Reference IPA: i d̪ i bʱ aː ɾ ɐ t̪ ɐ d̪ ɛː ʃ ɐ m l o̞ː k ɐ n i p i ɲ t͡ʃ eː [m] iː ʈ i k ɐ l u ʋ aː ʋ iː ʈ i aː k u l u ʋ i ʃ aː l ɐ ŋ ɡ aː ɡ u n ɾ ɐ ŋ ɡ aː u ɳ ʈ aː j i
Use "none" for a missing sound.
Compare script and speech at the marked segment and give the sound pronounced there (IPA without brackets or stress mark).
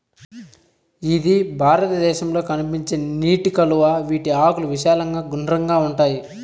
n